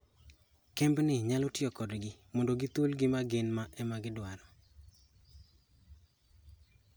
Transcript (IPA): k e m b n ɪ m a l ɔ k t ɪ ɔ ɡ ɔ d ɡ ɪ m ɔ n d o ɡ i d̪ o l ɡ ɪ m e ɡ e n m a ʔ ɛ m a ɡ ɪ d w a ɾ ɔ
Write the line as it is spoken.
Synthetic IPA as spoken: k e m b n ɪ ɲ a l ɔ t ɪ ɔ k ɔ d ɡ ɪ m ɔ n d o ɡ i t̪ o l ɡ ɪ m a ɡ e n m a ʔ ɛ m a ɡ ɪ d w a ɾ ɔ